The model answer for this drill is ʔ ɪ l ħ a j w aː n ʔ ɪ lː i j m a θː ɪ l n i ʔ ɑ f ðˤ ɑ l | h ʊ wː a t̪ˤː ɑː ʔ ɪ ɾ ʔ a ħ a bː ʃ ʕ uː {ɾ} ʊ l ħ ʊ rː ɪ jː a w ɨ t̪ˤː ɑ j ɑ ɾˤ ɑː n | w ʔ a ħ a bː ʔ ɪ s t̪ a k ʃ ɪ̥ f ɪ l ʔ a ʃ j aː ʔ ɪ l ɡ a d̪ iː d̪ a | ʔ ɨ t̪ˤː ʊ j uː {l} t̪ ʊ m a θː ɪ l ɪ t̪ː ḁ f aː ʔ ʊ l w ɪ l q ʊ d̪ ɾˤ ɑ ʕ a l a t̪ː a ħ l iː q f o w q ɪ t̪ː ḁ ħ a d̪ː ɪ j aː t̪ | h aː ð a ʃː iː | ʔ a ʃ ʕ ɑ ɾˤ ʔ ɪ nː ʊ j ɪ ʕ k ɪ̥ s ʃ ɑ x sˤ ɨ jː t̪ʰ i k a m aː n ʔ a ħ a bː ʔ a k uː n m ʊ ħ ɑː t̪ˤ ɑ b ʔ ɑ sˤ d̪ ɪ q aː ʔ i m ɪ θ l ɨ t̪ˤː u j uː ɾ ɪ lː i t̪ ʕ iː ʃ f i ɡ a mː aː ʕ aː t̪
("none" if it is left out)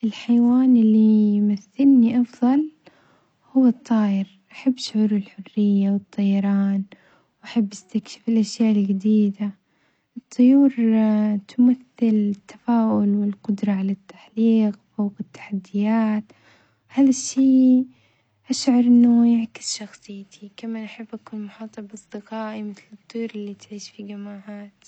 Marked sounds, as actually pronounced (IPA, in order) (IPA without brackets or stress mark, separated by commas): ɾ, ɾ